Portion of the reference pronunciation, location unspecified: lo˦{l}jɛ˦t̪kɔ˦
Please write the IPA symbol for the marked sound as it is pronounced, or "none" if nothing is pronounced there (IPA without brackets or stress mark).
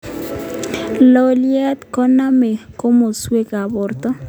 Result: l